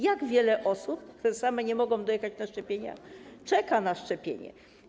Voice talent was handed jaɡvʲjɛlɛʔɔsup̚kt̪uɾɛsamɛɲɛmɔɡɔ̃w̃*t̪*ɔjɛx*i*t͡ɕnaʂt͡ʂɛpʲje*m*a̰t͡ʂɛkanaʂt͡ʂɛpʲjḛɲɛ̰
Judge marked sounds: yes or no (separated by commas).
no, no, no